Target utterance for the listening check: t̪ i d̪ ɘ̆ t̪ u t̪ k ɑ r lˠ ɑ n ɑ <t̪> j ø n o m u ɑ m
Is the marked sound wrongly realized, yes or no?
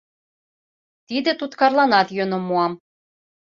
no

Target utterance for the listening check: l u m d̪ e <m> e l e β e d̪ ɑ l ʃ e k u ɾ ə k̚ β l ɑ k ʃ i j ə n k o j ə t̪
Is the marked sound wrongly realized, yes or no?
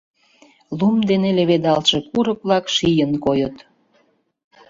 yes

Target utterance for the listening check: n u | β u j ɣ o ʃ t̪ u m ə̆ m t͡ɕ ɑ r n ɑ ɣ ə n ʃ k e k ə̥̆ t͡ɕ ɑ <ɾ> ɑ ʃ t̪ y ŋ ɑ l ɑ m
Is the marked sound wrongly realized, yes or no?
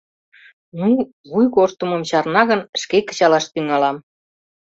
yes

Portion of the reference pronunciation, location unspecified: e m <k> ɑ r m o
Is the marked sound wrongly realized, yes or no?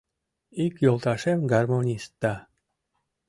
yes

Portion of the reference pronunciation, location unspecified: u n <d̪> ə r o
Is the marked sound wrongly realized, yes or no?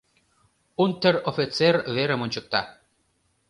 yes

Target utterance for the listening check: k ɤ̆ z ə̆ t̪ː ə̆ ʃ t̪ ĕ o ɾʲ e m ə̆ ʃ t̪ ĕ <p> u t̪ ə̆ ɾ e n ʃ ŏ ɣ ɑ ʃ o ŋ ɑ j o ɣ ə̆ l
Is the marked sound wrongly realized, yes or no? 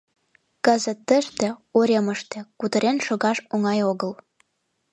yes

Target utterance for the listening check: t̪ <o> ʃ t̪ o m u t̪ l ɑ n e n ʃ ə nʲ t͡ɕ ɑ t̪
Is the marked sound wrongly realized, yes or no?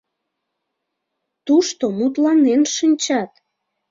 yes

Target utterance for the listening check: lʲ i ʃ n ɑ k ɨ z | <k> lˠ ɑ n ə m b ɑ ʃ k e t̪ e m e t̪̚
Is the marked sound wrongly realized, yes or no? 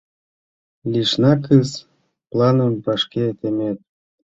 yes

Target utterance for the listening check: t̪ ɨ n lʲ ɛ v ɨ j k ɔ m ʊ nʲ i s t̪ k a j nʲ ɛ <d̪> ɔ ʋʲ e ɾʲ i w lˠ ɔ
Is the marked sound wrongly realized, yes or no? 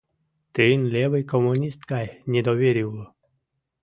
no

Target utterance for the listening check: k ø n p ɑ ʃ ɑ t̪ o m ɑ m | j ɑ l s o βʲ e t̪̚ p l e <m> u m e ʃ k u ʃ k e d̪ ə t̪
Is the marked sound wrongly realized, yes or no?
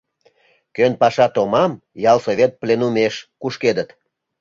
yes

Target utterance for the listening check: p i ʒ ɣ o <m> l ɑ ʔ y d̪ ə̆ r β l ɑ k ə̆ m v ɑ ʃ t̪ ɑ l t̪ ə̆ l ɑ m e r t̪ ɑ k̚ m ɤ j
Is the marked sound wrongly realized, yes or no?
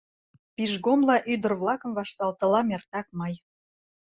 no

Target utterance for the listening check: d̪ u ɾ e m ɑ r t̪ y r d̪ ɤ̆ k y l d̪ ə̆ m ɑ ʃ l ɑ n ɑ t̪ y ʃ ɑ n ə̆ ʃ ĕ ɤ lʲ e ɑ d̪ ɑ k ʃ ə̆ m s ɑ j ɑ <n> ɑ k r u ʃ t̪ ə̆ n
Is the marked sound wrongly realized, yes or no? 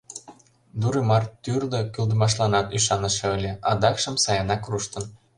no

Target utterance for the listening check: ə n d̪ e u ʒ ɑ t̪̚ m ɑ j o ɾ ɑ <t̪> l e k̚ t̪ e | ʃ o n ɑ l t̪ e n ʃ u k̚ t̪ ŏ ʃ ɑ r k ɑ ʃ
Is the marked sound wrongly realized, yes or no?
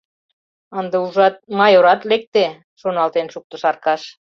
no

